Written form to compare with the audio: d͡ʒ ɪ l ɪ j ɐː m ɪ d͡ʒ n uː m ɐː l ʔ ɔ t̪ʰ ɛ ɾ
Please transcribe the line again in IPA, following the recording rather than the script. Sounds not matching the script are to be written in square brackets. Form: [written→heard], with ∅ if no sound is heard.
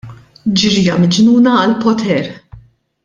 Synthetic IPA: d͡ʒ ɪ [l→ɾ] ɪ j [ɐː→ɐ] m ɪ d͡ʒ n uː [m→n] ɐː l [ʔ→p] ɔ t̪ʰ ɛ ɾ